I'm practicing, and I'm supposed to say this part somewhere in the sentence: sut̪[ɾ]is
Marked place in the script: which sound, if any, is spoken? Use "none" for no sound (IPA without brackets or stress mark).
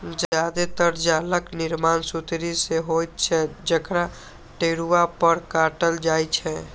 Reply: ɾ